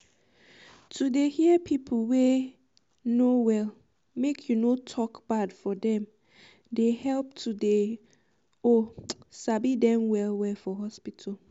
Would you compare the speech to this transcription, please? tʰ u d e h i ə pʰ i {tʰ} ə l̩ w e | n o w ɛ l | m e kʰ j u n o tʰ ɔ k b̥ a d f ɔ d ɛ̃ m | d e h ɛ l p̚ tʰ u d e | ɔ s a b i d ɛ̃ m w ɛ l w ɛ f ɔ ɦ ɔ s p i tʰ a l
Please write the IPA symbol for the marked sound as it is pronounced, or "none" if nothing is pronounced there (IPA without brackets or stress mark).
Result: pʰ